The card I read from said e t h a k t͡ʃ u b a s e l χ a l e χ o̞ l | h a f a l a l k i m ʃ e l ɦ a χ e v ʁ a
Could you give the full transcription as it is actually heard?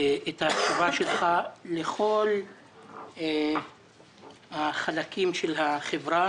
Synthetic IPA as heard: e t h a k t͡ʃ u v a ʃ e l χ a l e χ o̞ l | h a χ a l a k i m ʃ e l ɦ a χ e v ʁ a